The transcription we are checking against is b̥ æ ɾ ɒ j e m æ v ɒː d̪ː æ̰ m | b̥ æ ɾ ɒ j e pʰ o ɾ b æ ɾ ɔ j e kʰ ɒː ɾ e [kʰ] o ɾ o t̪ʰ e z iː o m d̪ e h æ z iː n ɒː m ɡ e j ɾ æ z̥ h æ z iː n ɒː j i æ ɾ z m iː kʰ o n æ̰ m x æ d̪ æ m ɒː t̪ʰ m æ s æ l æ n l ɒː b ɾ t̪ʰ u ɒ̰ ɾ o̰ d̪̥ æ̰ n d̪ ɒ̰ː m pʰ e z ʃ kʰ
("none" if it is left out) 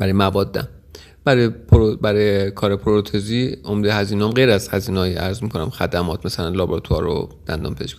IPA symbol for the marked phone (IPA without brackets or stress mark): pʰ